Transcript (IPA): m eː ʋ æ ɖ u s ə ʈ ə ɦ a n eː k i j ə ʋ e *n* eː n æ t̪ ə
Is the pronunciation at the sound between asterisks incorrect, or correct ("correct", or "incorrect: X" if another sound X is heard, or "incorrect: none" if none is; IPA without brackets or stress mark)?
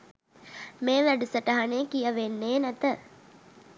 incorrect: nː